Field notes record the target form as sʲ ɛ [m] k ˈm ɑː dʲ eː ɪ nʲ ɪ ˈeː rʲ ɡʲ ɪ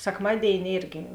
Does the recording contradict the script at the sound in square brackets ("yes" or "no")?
yes